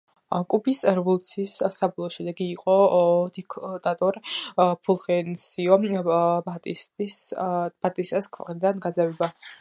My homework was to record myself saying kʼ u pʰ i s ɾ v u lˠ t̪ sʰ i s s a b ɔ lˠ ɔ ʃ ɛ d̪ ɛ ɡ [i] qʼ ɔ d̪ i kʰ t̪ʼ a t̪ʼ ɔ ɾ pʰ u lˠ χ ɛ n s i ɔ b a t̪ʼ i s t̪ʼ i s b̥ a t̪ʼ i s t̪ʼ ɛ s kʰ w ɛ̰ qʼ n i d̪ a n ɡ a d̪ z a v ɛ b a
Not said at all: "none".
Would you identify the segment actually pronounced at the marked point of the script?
iː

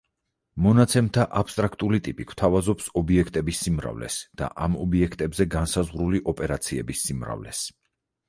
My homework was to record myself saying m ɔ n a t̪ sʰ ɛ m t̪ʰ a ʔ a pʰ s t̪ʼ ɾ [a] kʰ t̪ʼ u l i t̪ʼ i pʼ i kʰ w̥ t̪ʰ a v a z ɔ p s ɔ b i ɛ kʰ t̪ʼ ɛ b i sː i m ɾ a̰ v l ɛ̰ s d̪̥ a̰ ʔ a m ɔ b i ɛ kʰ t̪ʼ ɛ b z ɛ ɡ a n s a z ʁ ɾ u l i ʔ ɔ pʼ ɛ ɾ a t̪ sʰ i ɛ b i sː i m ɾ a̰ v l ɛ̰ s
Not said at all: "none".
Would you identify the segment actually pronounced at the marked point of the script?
a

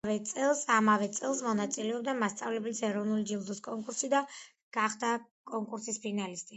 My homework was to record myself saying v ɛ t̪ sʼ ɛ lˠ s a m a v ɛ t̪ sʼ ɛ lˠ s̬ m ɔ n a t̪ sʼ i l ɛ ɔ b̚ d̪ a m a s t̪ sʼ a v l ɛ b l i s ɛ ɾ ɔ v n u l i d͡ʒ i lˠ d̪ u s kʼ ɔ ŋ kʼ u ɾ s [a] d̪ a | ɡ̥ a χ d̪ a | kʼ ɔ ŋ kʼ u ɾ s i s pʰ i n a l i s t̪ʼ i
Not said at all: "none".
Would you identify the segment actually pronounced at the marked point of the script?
i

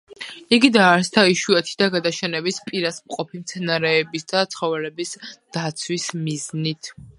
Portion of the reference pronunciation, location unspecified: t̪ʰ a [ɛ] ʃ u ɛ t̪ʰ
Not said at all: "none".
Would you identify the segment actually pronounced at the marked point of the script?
i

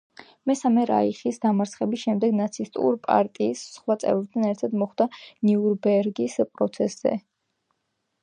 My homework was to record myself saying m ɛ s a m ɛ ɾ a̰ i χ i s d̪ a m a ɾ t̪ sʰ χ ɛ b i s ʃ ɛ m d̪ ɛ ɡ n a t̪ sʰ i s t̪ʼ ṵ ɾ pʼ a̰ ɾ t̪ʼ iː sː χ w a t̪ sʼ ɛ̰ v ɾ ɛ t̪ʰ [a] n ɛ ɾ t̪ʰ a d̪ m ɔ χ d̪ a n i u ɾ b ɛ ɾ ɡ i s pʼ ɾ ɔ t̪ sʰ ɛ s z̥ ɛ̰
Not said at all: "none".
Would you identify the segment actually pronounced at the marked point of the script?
a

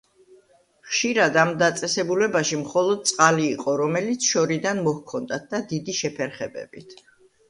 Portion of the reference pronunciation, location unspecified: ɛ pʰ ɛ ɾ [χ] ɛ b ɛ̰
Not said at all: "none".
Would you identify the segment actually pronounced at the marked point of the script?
χ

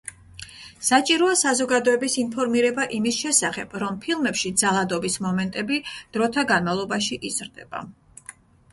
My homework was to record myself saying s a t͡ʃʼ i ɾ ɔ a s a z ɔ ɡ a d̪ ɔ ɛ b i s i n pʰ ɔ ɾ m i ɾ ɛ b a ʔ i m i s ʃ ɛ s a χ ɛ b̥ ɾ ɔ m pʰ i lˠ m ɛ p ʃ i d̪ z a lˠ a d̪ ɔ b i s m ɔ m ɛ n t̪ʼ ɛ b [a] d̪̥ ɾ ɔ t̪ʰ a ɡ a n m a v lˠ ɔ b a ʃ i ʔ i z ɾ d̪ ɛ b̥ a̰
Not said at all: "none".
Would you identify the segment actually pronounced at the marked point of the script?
i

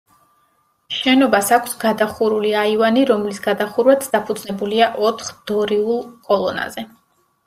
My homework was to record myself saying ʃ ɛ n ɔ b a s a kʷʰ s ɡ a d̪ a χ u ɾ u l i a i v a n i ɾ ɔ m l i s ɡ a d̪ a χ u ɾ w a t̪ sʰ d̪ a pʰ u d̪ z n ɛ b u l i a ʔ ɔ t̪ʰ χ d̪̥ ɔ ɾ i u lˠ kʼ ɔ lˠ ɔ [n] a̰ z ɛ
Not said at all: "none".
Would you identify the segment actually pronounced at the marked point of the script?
n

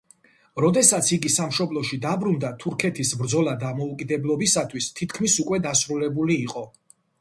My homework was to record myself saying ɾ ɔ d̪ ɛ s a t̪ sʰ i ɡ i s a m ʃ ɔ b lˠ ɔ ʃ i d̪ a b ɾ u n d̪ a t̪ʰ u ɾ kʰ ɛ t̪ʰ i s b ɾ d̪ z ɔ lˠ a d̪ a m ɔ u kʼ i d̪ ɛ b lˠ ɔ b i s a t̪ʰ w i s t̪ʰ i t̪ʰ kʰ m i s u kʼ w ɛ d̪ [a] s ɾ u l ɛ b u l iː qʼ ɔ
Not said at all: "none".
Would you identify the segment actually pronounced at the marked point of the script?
a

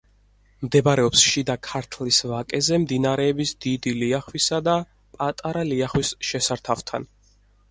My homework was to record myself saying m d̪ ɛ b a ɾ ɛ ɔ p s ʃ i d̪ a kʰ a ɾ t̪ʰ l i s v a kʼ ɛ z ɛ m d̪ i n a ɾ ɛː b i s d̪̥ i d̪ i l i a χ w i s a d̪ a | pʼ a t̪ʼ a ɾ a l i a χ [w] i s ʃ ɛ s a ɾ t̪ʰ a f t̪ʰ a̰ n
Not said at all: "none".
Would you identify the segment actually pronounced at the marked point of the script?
w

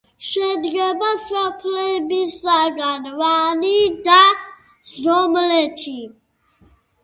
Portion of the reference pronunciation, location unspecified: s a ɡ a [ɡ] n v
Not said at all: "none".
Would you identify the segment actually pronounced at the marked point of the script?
none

